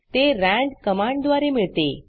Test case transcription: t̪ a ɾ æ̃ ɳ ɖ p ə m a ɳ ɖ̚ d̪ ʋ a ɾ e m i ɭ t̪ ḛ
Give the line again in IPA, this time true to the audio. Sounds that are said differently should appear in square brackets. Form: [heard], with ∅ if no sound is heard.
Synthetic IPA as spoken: t̪ [e] ɾ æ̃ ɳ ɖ [k] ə m a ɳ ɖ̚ d̪ ʋ a ɾ e m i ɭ t̪ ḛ